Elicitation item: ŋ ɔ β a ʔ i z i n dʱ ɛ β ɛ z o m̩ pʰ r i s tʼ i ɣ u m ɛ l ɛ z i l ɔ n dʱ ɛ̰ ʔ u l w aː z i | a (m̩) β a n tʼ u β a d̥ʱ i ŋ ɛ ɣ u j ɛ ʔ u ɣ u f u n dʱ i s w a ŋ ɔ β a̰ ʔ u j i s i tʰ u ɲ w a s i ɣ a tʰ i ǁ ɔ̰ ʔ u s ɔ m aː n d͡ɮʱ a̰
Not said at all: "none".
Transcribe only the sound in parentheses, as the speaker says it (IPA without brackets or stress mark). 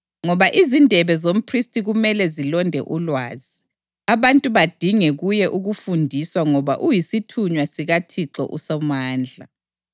none